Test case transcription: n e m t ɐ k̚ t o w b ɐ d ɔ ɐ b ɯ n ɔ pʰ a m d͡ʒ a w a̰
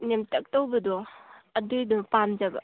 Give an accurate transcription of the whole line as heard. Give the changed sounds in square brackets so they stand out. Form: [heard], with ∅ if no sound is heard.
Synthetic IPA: n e m t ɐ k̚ t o w b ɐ d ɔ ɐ [d] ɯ [d] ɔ [p] a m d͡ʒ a [b] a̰